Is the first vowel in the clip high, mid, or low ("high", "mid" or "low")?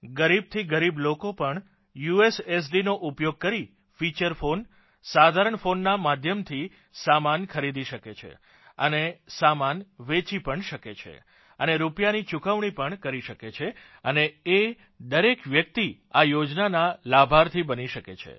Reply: mid